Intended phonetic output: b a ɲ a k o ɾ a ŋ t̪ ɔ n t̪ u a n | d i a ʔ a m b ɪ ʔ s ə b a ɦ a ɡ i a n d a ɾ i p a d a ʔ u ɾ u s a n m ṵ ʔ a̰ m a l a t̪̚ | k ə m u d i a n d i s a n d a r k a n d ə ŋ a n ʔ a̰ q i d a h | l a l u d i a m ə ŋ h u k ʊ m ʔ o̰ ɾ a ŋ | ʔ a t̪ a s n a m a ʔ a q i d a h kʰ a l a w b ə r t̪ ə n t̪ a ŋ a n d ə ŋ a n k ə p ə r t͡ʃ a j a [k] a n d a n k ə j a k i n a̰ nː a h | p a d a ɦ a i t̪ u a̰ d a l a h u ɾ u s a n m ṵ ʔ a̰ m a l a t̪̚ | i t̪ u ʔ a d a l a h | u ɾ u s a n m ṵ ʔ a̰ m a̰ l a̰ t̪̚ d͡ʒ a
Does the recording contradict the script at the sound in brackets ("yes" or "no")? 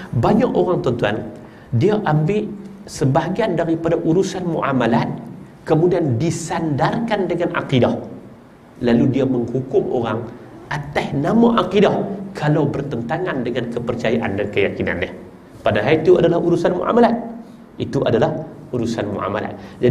yes